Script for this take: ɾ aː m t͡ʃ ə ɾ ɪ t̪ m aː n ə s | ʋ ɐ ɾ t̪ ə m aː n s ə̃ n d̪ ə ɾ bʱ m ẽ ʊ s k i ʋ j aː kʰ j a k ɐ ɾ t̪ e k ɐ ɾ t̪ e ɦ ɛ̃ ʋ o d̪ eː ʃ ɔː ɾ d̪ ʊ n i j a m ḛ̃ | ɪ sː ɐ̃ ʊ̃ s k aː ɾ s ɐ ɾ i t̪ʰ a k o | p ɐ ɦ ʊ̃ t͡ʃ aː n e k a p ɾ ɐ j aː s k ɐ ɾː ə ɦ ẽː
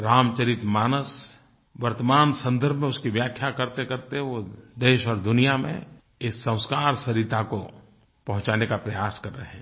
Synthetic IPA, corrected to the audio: ɾ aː m t͡ʃ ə ɾ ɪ t̪ m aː n ə s | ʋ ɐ ɾ t̪ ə m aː n s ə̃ n d̪ ə ɾ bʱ m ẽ ʊ s k i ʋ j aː kʰ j a k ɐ ɾ t̪ e k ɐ ɾ t̪ e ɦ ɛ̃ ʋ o d̪ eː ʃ ɔː ɾ d̪ ʊ n i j a m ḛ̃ | ɪ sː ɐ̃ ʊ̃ s k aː ɾ s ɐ ɾ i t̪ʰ a k o | p ɐ ɦ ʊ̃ t͡ʃ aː n e k a p ɾ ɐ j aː s k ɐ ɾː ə ɦ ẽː